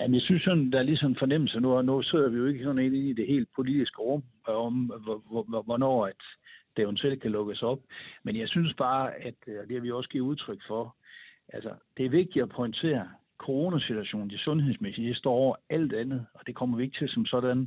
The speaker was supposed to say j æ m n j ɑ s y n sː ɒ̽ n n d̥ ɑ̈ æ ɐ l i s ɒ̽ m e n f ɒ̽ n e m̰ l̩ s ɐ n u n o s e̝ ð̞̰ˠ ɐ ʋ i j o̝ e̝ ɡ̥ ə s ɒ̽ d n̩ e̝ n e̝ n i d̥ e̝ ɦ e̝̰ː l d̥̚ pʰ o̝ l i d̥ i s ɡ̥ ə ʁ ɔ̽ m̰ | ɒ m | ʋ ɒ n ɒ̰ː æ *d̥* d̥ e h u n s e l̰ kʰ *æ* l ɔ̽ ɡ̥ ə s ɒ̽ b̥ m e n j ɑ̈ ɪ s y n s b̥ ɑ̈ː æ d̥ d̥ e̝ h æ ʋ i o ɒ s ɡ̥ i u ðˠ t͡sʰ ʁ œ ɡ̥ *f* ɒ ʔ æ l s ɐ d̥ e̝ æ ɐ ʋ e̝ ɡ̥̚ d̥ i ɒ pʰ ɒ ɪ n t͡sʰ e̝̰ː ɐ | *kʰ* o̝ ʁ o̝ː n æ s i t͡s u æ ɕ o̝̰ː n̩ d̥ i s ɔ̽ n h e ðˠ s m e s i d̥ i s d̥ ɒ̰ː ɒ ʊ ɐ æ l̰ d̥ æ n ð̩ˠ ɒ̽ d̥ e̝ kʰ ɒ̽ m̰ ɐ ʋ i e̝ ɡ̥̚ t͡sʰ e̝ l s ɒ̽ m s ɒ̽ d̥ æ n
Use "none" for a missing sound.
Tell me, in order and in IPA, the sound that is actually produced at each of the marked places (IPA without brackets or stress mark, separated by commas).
d̥, æ, f, kʰ